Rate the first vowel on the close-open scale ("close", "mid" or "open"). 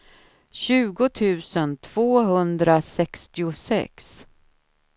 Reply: close